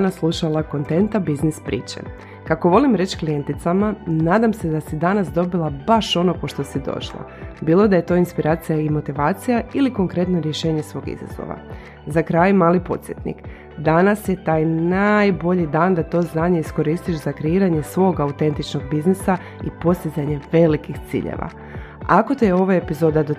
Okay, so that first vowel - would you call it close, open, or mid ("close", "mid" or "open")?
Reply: open